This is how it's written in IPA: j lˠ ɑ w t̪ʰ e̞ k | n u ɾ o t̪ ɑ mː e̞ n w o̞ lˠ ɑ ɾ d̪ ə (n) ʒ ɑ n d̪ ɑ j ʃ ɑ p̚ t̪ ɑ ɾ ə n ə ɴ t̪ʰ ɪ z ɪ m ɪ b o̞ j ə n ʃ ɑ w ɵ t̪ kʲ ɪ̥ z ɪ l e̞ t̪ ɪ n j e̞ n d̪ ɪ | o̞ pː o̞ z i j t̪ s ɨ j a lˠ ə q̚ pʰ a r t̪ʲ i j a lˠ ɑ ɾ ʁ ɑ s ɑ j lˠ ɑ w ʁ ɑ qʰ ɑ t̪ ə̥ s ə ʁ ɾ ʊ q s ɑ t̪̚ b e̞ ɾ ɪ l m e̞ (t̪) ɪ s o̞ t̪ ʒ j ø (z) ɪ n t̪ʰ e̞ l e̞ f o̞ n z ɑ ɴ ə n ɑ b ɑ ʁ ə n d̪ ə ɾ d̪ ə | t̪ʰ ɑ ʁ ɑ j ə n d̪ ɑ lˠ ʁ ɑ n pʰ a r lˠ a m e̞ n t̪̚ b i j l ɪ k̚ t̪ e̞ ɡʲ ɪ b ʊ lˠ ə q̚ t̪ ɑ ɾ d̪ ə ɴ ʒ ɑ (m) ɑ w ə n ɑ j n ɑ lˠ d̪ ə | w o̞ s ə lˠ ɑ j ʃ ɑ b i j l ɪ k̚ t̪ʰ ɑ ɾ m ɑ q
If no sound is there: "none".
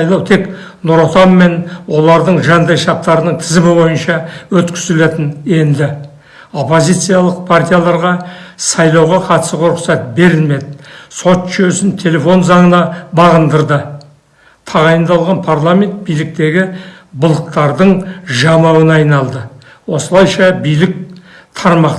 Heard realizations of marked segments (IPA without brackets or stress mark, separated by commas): ɴ, d̪, s, m